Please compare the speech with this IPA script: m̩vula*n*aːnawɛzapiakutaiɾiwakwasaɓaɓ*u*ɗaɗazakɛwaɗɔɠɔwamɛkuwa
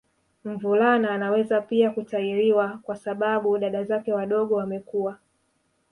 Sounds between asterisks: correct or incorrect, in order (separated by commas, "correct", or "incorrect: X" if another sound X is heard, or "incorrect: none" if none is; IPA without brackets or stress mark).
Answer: correct, correct